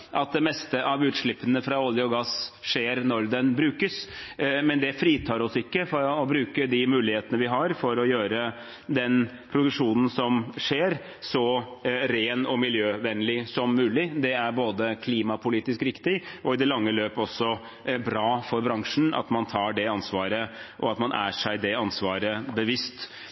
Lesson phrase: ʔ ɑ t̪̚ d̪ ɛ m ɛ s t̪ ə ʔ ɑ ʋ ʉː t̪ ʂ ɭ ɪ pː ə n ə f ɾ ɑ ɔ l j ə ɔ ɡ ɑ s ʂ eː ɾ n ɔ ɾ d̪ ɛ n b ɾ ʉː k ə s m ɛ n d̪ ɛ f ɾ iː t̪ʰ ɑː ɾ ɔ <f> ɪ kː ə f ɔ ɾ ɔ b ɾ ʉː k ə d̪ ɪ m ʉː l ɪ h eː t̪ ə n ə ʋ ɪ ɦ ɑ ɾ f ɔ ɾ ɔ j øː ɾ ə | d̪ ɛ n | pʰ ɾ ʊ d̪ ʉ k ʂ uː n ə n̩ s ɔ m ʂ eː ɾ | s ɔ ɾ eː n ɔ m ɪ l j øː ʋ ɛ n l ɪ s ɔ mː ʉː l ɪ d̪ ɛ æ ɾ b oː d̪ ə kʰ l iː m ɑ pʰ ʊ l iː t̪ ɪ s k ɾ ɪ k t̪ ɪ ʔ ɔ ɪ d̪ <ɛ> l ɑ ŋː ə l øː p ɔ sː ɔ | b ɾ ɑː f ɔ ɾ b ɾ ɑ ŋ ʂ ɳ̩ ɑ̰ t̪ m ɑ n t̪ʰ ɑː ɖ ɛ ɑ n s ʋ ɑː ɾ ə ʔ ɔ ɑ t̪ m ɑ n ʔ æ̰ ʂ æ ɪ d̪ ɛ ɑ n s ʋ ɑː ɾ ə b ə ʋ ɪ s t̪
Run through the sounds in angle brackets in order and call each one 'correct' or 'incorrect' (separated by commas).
incorrect, correct